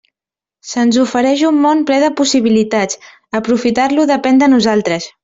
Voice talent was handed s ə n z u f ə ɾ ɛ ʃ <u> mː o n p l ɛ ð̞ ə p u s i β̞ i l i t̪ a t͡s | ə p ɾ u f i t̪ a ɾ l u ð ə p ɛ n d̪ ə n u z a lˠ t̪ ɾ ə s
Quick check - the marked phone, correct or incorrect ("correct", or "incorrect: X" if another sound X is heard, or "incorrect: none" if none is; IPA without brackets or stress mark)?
correct